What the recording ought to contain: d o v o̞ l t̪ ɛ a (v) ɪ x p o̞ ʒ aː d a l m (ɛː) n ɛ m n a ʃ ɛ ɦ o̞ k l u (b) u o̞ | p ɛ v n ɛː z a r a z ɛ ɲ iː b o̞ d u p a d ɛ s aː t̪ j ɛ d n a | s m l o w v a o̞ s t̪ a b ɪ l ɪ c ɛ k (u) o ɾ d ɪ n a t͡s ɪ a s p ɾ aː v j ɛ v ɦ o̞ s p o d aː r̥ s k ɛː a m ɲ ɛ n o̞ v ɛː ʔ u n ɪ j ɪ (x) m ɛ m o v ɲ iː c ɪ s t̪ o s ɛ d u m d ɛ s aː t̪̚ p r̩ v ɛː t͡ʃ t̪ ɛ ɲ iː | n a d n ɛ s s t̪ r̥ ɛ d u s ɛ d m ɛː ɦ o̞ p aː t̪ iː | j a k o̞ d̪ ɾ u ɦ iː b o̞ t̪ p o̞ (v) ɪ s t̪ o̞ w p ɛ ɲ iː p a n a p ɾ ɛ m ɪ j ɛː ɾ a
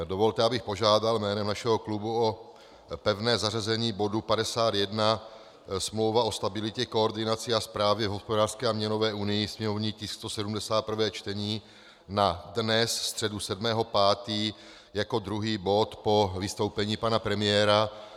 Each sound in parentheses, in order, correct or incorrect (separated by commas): incorrect, correct, correct, incorrect, incorrect, correct